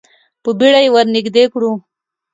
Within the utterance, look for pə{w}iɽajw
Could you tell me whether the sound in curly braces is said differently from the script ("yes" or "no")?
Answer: yes